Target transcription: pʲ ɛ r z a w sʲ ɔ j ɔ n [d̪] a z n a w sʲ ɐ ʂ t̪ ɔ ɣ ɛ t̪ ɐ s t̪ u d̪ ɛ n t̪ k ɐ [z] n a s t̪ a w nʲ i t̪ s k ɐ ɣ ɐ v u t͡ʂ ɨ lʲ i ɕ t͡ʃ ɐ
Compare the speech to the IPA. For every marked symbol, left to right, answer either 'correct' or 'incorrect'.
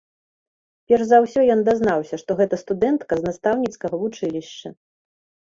correct, correct

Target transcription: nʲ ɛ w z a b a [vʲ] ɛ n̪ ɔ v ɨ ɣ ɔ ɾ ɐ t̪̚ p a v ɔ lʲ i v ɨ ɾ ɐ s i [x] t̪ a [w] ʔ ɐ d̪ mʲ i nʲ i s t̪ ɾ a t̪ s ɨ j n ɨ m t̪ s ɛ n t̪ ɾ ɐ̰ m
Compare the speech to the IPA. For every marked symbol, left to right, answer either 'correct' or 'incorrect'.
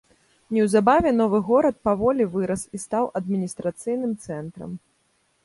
correct, incorrect, correct

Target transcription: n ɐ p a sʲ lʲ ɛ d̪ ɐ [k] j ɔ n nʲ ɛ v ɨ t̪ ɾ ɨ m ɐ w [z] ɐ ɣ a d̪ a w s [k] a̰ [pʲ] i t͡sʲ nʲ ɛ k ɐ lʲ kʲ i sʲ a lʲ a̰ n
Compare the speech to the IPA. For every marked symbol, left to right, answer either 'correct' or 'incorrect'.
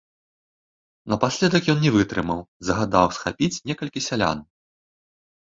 correct, correct, incorrect, correct

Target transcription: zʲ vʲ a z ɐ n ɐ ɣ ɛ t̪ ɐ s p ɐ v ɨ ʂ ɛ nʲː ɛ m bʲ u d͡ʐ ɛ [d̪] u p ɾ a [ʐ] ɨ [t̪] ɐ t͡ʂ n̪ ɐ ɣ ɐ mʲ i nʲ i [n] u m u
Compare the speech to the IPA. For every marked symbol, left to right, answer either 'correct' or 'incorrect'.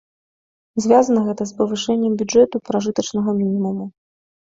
incorrect, correct, correct, incorrect

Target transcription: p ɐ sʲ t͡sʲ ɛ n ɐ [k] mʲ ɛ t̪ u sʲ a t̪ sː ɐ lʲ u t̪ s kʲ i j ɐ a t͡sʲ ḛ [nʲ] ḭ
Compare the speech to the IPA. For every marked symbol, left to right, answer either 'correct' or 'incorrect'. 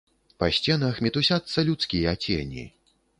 incorrect, correct

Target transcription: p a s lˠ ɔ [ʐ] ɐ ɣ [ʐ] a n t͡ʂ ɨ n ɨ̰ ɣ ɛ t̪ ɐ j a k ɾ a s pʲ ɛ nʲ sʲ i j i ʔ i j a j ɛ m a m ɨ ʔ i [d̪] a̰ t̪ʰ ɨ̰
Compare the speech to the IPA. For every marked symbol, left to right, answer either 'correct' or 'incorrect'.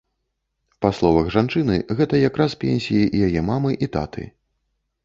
incorrect, correct, incorrect

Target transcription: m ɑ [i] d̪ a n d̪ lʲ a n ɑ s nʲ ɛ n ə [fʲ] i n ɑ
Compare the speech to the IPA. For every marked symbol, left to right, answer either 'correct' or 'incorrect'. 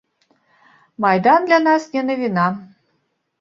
incorrect, incorrect

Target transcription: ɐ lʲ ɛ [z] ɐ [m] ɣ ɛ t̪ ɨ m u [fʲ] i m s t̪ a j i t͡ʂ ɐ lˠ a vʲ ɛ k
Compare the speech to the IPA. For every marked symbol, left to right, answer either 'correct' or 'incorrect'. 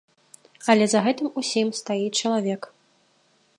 correct, incorrect, incorrect

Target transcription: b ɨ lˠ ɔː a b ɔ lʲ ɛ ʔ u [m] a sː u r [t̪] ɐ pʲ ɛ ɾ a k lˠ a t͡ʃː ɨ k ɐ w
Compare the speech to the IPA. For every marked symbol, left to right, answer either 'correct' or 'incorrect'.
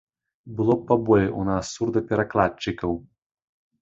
incorrect, incorrect

